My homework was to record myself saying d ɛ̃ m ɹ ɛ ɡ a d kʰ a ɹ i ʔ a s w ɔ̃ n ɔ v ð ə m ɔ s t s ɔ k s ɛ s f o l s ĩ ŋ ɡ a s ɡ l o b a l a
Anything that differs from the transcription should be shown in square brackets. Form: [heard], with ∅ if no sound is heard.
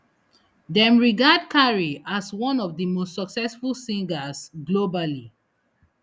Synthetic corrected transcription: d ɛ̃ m ɹ [i] ɡ a d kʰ a ɹ i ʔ a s w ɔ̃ n ɔ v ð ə m [o] s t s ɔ k s ɛ s f [u] l s ĩ ŋ ɡ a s ɡ l o b a l [i]